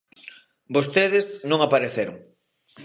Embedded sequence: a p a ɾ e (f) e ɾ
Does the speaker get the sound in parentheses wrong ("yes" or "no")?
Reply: yes